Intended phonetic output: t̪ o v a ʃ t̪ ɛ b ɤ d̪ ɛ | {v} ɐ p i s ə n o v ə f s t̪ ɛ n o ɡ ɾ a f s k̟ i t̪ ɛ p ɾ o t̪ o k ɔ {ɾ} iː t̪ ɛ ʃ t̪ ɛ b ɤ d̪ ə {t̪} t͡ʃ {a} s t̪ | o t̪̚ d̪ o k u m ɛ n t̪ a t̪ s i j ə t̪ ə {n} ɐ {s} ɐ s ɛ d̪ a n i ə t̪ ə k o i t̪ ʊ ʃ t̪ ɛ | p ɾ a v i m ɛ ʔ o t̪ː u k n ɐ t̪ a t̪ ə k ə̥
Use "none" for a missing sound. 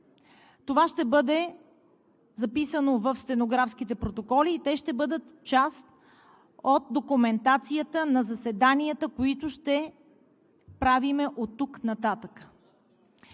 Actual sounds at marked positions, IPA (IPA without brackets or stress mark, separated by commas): z, l, t̪, a, n, z